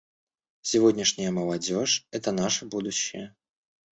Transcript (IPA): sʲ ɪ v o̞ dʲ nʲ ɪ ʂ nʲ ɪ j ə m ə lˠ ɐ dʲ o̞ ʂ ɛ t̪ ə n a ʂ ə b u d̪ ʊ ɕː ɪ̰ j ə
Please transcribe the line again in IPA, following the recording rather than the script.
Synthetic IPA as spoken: sʲ ɪ v o̞ dʲ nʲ ɪ ʂ nʲ ɪ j ə m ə lˠ ɐ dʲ o̞ ʂ ɛ t̪ ə n a ʂ ə b u d̪ ʊ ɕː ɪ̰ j ə